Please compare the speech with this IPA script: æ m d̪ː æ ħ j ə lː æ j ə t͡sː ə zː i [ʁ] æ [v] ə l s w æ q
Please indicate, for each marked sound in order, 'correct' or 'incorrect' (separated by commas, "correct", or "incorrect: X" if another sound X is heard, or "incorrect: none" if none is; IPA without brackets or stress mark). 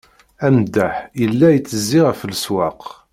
correct, incorrect: f